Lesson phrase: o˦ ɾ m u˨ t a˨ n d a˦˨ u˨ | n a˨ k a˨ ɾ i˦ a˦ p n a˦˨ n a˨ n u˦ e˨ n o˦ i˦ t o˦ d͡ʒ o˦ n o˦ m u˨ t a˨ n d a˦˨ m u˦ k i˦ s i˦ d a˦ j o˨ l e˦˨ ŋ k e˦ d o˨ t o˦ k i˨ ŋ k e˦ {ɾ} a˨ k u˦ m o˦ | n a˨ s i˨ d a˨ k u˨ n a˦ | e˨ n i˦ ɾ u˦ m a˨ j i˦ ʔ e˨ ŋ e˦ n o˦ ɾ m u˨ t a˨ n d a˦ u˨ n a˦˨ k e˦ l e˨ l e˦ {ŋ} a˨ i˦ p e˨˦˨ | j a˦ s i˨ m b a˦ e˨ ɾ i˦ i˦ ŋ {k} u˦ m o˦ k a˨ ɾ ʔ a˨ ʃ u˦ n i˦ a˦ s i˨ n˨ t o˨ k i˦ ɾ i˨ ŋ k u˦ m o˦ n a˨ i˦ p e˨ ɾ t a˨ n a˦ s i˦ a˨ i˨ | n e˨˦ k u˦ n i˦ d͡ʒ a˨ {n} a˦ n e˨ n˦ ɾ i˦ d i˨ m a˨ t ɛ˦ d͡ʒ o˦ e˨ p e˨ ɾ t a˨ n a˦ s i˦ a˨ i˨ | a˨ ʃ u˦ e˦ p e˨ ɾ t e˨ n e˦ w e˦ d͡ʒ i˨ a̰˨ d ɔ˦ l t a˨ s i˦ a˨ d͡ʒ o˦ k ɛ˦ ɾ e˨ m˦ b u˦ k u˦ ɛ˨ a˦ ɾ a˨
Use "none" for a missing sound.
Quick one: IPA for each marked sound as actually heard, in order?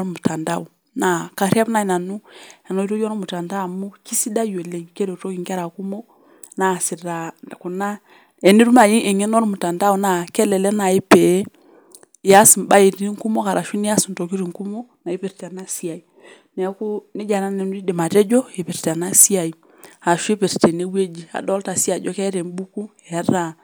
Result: ɾ, n, k, n

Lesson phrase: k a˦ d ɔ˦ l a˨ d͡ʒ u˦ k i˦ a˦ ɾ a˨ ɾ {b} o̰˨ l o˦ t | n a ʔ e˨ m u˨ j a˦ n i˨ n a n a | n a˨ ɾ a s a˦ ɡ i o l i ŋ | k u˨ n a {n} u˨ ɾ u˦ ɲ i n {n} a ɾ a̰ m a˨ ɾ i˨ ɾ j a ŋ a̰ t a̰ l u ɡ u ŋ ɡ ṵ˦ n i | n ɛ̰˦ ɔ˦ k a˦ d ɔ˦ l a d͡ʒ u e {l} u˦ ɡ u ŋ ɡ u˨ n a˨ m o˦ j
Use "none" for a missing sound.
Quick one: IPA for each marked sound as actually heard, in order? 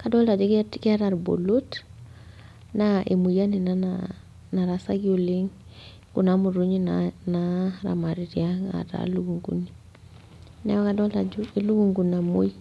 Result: b, m, n, l

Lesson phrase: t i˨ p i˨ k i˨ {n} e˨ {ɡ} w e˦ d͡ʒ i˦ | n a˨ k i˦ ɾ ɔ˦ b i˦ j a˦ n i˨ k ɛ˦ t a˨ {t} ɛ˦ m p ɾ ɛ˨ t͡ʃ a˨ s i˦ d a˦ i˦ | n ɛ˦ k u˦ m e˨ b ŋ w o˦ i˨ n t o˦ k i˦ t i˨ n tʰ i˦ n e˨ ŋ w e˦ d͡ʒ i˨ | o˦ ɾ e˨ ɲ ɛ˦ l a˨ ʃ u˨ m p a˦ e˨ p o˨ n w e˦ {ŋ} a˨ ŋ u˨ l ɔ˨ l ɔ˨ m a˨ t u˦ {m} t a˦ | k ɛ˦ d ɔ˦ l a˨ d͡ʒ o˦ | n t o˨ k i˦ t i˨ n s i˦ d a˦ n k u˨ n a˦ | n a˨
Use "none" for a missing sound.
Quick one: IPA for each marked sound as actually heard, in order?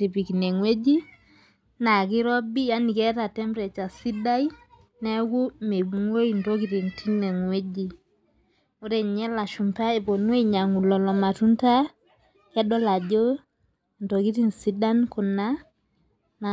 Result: n, ŋ, t, ɲ, n

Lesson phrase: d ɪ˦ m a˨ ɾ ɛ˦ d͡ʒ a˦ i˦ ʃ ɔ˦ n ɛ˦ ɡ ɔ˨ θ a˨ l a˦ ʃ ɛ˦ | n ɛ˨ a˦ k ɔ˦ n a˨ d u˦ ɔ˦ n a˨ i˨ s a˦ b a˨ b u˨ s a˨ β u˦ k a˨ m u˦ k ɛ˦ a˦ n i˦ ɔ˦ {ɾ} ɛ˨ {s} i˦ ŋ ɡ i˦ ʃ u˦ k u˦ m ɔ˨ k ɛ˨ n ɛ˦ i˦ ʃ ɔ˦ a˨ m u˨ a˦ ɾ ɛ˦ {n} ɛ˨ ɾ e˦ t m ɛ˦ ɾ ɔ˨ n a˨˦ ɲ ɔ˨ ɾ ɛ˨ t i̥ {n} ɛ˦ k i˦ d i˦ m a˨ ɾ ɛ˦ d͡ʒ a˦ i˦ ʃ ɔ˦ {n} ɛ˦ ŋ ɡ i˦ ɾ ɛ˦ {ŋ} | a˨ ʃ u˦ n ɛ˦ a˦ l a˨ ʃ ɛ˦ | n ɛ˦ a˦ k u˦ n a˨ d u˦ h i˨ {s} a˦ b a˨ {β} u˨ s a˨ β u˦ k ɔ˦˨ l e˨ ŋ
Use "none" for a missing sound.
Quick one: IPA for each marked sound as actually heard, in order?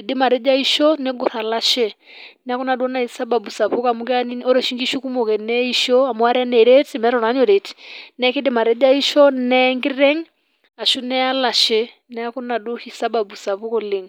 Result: ɾ, ʃ, n, n, n, ŋ, s, b

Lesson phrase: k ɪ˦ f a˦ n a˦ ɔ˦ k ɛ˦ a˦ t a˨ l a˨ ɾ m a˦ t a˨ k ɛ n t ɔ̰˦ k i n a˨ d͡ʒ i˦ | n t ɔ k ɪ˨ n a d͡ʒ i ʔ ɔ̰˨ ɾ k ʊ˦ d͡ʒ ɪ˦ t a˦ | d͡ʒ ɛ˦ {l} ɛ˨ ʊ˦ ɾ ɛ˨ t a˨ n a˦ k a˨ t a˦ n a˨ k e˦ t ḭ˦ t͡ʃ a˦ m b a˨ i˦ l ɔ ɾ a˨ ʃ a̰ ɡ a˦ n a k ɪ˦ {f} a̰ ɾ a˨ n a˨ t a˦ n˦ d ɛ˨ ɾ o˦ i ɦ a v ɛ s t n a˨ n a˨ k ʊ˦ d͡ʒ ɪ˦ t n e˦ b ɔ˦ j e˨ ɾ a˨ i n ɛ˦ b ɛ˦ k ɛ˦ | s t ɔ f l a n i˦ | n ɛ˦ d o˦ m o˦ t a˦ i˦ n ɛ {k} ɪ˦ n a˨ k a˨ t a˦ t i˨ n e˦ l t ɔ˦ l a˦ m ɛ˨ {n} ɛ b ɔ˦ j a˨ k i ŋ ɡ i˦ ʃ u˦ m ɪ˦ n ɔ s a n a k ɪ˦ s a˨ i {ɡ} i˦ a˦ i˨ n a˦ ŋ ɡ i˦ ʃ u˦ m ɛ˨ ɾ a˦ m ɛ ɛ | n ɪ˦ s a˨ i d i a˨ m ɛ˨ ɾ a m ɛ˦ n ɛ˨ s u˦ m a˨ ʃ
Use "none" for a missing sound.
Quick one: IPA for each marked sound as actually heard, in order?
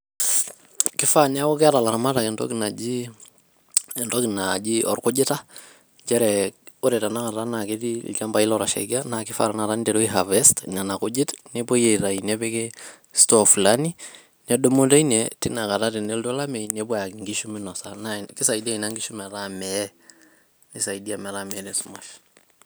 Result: ɾ, f, t, n, d

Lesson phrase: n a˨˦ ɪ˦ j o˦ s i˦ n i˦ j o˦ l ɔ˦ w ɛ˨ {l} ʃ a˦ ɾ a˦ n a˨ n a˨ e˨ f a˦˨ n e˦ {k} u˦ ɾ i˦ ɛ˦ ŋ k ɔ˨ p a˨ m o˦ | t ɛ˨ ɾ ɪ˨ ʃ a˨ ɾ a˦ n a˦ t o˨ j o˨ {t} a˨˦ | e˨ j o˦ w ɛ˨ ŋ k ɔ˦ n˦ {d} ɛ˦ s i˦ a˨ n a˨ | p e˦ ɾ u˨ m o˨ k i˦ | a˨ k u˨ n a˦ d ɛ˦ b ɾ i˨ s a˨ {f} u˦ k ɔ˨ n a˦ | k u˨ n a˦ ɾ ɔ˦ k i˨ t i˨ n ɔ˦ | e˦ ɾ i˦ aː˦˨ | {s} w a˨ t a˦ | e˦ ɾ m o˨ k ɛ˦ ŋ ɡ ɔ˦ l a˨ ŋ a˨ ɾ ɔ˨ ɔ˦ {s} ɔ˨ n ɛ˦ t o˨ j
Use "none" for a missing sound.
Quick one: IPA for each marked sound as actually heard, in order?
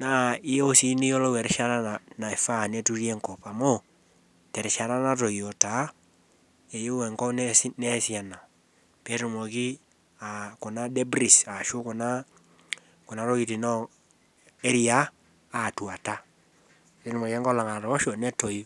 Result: ɾ, t, t, n, ʃ, t, ʃ

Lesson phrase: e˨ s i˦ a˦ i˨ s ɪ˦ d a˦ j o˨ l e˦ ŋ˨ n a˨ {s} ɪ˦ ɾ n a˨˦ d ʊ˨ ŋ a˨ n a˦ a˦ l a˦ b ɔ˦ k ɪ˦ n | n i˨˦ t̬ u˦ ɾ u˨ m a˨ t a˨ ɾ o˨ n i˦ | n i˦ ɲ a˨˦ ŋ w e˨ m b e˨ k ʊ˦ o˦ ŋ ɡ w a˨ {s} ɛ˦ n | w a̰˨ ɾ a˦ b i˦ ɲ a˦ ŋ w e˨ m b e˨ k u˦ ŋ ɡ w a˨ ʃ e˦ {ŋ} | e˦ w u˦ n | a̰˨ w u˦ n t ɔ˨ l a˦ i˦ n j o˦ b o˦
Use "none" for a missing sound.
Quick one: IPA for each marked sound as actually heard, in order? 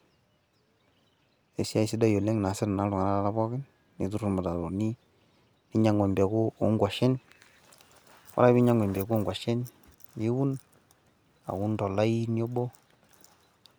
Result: s, ʃ, n

